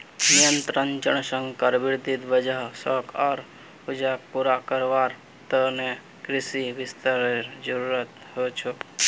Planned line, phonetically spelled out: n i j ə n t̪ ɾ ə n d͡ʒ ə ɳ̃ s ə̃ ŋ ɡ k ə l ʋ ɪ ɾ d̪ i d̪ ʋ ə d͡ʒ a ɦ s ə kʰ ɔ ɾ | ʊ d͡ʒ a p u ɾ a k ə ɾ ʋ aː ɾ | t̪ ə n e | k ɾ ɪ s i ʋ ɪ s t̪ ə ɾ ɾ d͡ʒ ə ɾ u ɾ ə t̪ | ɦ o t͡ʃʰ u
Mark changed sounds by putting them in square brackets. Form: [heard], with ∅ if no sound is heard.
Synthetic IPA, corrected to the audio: n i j ə n t̪ ɾ ə n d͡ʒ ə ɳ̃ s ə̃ ŋ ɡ k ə [ɾ] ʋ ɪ ɾ d̪ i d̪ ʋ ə d͡ʒ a ɦ s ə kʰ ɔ ɾ | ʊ d͡ʒ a p u ɾ a k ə ɾ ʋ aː ɾ | t̪ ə n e | k ɾ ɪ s i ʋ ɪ s t̪ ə ɾ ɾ d͡ʒ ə ɾ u ɾ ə t̪ | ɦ o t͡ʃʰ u